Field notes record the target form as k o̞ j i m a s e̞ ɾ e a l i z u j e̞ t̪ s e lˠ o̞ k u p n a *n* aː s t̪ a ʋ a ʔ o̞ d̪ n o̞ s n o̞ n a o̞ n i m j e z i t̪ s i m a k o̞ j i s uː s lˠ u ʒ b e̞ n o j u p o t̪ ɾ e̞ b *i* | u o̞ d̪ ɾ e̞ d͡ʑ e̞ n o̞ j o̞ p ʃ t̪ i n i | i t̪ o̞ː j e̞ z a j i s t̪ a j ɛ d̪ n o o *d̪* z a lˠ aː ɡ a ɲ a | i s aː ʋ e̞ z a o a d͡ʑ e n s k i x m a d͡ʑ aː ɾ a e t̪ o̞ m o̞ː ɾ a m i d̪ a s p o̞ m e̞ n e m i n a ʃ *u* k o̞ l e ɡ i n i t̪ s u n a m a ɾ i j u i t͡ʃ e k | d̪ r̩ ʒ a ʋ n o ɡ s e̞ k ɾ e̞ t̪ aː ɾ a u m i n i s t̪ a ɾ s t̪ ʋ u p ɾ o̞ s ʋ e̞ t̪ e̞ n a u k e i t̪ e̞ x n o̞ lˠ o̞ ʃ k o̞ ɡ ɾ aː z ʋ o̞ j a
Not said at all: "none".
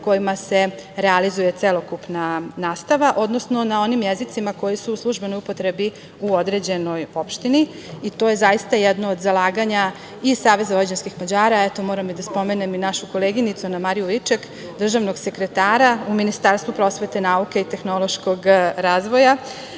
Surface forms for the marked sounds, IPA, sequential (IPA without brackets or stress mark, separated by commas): n, i, d̪, u